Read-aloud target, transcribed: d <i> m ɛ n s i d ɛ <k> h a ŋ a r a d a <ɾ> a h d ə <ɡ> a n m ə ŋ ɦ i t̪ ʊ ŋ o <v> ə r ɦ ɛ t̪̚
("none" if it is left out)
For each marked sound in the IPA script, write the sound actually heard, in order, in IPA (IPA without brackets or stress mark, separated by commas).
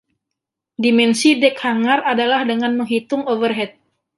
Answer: i, k, l, ŋ, v